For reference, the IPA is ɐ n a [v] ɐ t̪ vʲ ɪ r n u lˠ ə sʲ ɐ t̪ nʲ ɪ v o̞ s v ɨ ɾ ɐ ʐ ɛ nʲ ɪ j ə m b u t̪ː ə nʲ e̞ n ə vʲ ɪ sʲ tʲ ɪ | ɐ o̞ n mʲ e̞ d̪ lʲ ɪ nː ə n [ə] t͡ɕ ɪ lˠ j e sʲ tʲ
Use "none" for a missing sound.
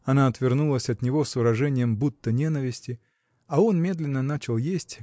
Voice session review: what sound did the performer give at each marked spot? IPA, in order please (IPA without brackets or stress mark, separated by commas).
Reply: none, a